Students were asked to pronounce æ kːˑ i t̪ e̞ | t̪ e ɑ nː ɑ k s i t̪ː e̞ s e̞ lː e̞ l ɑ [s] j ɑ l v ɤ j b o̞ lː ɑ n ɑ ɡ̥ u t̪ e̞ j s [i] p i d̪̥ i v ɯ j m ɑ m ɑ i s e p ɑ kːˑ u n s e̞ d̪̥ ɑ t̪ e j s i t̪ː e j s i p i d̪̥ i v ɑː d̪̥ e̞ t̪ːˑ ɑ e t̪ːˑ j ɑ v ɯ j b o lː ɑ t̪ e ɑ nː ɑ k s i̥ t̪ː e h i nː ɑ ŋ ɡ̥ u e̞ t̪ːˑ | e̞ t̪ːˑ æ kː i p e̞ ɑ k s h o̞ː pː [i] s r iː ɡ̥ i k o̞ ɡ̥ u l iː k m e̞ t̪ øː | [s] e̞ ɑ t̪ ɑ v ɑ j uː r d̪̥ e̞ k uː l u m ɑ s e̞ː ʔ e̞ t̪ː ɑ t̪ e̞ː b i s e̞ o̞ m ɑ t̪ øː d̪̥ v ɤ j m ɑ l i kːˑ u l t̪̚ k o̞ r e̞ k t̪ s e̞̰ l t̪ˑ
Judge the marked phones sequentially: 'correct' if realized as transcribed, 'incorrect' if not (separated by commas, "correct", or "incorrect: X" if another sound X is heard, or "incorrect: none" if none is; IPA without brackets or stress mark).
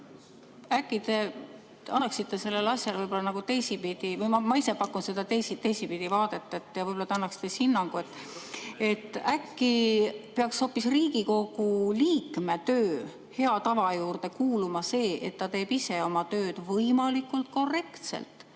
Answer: correct, correct, correct, incorrect: h